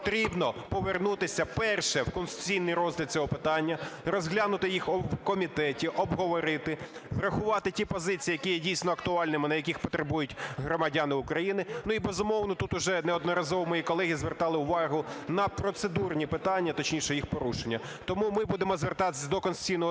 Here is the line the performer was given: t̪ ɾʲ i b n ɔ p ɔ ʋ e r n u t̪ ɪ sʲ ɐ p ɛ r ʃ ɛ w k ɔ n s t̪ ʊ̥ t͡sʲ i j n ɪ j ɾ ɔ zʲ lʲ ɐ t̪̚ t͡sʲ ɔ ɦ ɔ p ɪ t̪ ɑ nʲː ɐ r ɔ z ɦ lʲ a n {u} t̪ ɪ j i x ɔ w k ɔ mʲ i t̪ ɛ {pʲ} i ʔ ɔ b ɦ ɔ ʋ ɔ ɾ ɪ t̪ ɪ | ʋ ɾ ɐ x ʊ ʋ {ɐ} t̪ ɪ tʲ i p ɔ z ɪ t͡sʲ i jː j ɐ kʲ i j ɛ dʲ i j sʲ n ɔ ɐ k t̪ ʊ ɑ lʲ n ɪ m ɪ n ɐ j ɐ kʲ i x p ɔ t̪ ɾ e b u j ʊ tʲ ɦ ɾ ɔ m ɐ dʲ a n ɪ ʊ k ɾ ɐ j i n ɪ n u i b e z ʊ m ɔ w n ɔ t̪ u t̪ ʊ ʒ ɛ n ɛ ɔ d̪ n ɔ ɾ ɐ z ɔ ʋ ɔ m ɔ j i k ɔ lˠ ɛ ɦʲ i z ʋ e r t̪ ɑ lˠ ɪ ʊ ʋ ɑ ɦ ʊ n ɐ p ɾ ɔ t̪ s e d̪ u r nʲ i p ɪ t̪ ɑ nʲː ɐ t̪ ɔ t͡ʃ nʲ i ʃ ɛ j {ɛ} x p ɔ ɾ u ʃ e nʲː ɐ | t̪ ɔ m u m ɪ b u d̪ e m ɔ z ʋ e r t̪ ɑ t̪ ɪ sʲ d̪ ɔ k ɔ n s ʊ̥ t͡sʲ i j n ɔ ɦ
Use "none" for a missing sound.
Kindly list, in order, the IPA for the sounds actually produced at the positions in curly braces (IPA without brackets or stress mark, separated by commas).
ʊ, tʲ, ɑ, i